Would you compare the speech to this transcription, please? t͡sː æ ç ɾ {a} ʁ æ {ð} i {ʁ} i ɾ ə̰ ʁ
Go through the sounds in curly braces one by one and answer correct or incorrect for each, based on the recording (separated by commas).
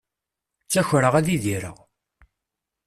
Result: incorrect, correct, incorrect